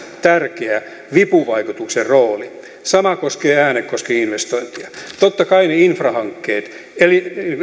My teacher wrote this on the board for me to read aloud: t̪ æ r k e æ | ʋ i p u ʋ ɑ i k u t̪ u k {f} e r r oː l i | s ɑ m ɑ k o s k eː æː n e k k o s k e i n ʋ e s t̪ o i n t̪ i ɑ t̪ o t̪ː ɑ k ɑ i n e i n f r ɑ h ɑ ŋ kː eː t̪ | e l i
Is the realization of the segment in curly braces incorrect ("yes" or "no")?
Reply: yes